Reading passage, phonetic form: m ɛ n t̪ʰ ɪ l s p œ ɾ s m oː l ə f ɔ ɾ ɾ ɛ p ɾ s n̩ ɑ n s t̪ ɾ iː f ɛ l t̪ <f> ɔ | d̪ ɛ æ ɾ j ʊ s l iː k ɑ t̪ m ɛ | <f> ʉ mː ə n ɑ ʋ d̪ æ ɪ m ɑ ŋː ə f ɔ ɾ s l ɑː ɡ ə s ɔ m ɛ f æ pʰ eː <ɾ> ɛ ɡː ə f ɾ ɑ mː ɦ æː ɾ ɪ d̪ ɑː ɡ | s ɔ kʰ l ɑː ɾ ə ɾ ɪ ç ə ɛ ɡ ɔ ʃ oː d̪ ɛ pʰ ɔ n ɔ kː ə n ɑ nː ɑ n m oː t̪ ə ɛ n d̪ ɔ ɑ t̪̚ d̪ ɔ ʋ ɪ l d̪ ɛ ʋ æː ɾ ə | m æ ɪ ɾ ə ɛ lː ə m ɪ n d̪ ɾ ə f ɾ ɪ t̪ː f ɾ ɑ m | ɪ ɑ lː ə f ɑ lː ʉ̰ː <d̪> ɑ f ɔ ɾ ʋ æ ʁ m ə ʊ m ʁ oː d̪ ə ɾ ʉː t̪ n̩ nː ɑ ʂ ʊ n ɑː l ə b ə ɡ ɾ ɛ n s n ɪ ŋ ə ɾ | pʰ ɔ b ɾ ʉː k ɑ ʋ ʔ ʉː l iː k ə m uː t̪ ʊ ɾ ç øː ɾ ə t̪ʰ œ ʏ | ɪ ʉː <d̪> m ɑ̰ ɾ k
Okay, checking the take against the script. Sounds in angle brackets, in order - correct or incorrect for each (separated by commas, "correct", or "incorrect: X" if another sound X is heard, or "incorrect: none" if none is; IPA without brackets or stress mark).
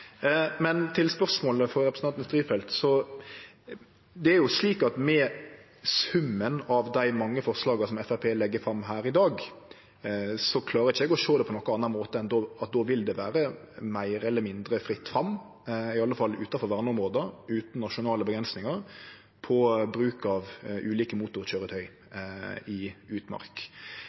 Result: incorrect: s, incorrect: s, incorrect: l, incorrect: t̪, incorrect: t̪